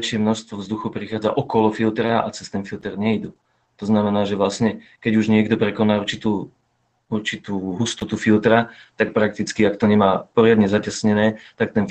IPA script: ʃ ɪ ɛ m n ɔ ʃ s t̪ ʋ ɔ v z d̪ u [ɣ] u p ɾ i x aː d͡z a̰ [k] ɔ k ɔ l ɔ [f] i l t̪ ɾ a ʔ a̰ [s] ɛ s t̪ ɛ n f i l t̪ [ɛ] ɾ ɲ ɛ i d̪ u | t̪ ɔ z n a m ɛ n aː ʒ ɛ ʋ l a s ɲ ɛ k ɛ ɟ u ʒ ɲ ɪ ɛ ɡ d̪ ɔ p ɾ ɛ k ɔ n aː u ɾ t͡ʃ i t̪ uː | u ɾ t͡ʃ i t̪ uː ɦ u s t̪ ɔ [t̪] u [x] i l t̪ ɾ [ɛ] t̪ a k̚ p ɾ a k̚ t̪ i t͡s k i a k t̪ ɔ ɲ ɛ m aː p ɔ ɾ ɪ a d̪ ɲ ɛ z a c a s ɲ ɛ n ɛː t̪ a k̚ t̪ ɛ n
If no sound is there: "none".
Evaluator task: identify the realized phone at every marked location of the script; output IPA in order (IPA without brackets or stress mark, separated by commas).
x, ʔ, f, t͡s, ɛ, t̪, f, a